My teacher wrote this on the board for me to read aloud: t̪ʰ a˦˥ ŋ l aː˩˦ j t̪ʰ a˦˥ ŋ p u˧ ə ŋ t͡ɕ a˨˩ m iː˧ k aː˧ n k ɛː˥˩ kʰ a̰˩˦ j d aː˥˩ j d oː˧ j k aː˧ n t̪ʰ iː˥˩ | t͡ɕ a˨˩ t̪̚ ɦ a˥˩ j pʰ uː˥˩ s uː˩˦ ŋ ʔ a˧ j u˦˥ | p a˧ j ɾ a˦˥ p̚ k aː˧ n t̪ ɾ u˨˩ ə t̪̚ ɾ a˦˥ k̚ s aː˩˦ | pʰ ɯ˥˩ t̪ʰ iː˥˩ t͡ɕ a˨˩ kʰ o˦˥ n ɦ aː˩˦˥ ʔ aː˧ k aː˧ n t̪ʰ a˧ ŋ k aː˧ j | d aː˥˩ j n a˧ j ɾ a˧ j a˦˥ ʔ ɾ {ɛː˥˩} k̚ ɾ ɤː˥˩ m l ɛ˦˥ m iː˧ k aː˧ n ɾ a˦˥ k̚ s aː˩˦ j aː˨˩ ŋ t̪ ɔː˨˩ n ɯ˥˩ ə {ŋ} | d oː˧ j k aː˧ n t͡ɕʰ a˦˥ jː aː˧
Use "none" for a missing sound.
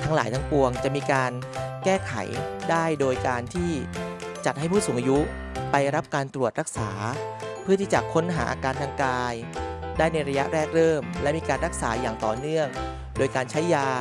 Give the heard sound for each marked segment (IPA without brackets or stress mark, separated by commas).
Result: ɛː˥˩, ŋ